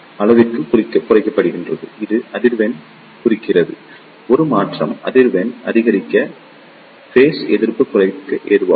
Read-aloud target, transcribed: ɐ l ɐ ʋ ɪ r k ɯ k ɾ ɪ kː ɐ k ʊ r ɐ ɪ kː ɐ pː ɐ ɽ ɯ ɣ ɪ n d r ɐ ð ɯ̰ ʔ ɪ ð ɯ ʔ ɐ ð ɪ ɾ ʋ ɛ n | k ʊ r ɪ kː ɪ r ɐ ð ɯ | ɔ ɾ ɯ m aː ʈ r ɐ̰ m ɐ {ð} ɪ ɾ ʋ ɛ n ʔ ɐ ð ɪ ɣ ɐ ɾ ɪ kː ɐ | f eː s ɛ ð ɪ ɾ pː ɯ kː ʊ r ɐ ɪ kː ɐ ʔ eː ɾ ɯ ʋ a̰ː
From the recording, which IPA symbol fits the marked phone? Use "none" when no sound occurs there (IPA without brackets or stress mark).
ð